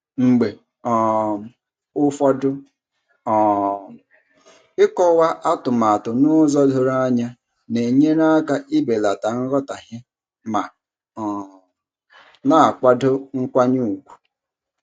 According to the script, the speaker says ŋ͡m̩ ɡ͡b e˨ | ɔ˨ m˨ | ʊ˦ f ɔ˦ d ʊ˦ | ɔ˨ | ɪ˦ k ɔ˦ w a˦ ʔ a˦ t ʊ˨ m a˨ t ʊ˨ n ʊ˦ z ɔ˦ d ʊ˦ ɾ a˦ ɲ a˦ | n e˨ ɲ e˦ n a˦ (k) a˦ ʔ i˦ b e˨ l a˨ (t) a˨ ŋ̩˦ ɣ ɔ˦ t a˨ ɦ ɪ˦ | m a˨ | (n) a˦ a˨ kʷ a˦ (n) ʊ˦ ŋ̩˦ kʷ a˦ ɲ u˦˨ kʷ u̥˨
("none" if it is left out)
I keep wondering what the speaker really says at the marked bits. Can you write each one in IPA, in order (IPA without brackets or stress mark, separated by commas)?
k, t, n, d